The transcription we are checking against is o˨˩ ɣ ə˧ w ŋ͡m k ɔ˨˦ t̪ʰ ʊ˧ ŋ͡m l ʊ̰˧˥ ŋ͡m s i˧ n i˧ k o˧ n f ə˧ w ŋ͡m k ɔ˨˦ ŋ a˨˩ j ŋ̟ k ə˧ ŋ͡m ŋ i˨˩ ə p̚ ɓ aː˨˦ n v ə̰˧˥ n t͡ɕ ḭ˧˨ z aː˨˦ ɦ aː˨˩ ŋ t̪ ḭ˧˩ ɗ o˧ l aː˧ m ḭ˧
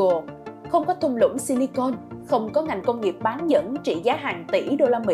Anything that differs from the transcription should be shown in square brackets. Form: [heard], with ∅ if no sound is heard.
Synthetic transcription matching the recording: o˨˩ [x] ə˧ w ŋ͡m k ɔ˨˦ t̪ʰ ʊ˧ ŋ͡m l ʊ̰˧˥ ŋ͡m s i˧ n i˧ k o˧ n [x] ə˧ w ŋ͡m k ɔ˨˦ ŋ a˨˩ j ŋ̟ k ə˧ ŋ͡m ŋ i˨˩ ə p̚ ɓ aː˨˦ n [z] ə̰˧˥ n t͡ɕ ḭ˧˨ z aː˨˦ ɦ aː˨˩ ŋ t̪ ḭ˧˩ ɗ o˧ l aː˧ m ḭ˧